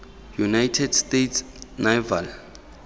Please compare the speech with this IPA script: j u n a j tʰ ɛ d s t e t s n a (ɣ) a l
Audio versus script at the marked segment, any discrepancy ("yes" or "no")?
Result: yes